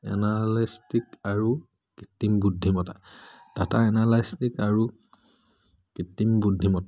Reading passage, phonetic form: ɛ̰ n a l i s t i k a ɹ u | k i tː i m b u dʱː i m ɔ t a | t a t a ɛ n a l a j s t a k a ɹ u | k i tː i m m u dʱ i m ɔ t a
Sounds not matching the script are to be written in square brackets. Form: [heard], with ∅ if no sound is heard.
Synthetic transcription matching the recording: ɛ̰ n a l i s t i k a ɹ u | k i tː i m b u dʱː i m ɔ t a | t a t a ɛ n a l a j s t [i] k a ɹ u | k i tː i m [b] u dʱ i m ɔ t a